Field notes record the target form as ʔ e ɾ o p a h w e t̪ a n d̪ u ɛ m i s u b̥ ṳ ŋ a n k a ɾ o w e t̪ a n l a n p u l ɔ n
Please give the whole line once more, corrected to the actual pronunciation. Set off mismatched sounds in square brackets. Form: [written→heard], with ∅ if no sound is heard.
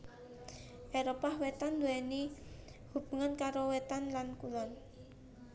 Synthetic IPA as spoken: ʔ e ɾ o p a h w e t̪ a n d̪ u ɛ [m→n] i [s→h] u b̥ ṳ ŋ a n k a ɾ o w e t̪ a n l a n [p→k] u l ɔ n